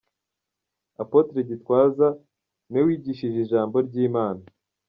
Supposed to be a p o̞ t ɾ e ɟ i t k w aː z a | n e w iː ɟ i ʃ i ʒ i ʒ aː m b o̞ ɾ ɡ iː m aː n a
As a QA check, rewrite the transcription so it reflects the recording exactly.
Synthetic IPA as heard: a p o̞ t ɾ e ɟ i t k w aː z a | n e w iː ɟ i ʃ i ʒ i ʒ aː m b o̞ ɾ ɟ iː m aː n a